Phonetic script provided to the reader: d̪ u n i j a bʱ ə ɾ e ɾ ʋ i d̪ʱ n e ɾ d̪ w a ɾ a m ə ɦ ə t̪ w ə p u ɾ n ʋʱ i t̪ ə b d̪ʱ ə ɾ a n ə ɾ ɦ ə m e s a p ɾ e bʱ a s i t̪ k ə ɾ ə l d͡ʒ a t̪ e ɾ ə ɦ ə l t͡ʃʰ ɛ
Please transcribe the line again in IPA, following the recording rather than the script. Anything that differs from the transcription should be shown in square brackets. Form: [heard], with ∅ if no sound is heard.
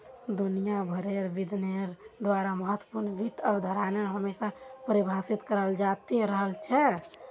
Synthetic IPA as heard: d̪ u n i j a bʱ ə ɾ e ɾ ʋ i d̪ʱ n e ɾ d̪ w a ɾ a m ə ɦ ə t̪ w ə p u ɾ n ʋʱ i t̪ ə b d̪ʱ ə ɾ a n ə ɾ ɦ ə m e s a p ɾ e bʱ a s i t̪ k ə ɾ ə l d͡ʒ a t̪ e ɾ ə ɦ ə l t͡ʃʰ ɛ

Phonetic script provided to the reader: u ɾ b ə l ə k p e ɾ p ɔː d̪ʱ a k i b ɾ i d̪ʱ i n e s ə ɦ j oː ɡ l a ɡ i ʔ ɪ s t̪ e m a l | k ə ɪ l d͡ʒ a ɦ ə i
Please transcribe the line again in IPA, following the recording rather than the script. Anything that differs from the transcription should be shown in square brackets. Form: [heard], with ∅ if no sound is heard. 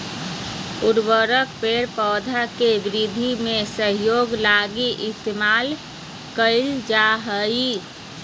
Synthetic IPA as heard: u ɾ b ə [ɾ] ə k p e ɾ p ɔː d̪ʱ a k [e] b ɾ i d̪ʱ i [m] e s ə ɦ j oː ɡ l a ɡ i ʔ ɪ s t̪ e m a l | k ə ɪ l d͡ʒ a ɦ ə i

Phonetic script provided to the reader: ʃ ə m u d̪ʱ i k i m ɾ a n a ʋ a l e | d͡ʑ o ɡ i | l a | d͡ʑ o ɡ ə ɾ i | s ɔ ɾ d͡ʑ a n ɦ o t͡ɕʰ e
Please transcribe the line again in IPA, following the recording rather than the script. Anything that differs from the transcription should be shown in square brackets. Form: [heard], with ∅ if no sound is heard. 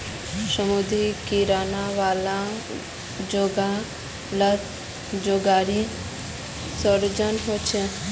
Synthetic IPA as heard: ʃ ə m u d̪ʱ i k i [∅] ɾ a n a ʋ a l [a] | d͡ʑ o ɡ [a] | l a | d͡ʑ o ɡ [a] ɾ i | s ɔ ɾ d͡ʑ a n ɦ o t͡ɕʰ e

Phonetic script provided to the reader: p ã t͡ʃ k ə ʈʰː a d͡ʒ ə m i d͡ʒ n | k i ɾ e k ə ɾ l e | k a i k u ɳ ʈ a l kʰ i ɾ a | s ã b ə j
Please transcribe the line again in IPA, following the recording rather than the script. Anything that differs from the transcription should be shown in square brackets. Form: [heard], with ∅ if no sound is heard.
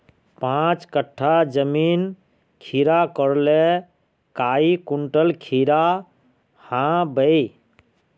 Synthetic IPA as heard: p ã t͡ʃ k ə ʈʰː a d͡ʒ ə m i [∅] n | [kʰ] i ɾ [a] k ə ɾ l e | k a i k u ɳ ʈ [ə] l kʰ i ɾ a | [h] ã b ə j

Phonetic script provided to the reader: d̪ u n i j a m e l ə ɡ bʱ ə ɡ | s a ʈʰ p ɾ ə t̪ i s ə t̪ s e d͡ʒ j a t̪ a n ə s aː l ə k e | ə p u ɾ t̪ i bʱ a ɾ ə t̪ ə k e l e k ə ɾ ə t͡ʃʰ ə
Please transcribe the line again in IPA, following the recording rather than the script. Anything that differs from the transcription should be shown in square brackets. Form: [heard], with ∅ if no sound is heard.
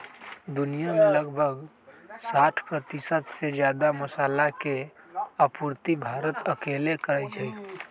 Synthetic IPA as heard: d̪ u n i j a m e l ə ɡ bʱ ə ɡ | s a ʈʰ p ɾ ə t̪ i s ə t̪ s e d͡ʒ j a [d̪] a [m] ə s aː l [a] k e | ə p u ɾ t̪ i bʱ a ɾ ə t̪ ə k e l e k ə ɾ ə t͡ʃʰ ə

